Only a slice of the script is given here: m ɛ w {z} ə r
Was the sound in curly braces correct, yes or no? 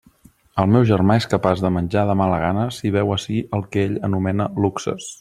no